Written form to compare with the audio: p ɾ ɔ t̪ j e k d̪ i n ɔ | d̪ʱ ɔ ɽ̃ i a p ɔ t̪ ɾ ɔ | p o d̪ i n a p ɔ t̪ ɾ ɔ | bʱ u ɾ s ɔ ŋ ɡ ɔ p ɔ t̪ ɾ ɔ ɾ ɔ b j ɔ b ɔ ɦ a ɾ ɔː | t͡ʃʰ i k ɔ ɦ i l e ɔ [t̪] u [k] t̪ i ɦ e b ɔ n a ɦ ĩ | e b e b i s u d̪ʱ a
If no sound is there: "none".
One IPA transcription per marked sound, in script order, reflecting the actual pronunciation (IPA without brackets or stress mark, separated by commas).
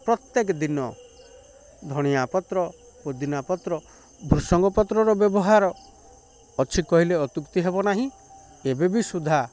t̪, k